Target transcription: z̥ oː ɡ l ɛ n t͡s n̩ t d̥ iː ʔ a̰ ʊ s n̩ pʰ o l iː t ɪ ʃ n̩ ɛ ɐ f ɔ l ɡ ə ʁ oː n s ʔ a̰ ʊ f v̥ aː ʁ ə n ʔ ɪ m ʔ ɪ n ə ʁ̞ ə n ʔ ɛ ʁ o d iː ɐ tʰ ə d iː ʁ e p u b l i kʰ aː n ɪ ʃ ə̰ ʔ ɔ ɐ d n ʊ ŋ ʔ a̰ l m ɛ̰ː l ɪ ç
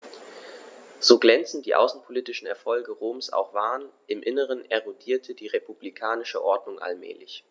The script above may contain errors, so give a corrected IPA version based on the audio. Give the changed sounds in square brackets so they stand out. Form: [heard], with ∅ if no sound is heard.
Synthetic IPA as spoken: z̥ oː ɡ l ɛ n t͡s n̩ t d̥ iː ʔ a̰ ʊ s n̩ pʰ o l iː t ɪ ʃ n̩ ɛ ɐ f ɔ l ɡ ə ʁ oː [m] s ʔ a̰ ʊ [x] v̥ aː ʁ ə n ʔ ɪ m ʔ ɪ n ə ʁ̞ ə n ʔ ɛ ʁ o d iː ɐ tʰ ə d iː ʁ e p u b l i kʰ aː n ɪ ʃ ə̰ ʔ ɔ ɐ d n ʊ ŋ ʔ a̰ l m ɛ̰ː l ɪ ç